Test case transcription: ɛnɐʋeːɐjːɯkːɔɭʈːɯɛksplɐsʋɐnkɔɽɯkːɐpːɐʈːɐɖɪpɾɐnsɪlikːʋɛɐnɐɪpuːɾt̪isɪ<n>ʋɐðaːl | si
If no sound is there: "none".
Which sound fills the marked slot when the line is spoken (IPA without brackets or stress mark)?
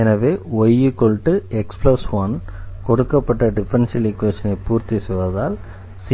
none